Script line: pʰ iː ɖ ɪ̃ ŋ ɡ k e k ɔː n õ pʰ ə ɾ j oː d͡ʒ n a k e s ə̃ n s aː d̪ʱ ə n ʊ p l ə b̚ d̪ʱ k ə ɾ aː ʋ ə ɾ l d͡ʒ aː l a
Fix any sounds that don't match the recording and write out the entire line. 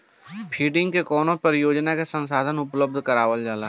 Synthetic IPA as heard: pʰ iː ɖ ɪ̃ ŋ ɡ k e k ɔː n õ p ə ɾ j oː d͡ʒ n a k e s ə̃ n s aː d̪ʱ ə n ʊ p l ə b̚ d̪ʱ k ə ɾ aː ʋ ə l d͡ʒ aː l a